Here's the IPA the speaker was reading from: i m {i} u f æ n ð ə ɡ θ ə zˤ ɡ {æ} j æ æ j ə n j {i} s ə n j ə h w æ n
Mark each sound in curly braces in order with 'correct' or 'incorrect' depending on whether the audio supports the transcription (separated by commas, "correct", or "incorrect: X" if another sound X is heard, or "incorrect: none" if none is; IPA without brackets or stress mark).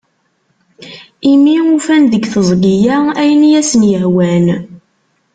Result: correct, incorrect: i, incorrect: æ